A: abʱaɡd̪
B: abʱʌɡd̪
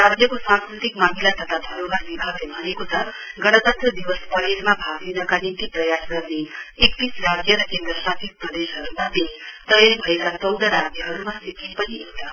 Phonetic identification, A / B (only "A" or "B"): A